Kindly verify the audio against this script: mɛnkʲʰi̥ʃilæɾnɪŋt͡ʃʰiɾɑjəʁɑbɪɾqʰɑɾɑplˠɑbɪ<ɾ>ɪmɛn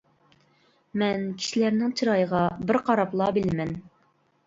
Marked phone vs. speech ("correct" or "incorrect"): incorrect